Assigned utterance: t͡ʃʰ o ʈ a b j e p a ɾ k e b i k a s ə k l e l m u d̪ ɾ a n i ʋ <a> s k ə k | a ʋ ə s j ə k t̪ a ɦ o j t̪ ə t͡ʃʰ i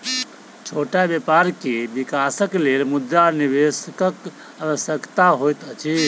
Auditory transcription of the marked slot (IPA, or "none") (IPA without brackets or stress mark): e